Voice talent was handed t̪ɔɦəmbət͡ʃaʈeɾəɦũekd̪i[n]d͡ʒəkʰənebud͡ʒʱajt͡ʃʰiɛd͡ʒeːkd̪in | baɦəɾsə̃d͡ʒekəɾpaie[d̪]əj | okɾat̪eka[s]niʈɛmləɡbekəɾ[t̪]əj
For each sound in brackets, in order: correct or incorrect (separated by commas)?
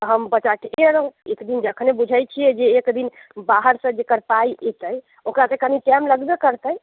correct, incorrect, incorrect, correct